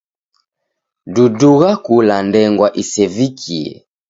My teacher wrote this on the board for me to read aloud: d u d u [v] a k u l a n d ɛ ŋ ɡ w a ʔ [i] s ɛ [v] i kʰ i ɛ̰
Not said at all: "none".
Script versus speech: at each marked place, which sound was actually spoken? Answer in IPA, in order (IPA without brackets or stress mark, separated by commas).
ɣ, i, v